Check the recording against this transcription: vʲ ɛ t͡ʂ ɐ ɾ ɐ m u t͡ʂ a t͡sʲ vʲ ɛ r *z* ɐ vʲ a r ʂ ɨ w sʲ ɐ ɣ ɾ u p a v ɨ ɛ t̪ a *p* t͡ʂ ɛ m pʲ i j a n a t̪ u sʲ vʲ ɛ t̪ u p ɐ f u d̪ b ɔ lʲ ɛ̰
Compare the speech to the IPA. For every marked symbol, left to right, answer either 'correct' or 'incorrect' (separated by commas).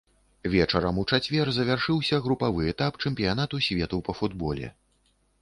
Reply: correct, correct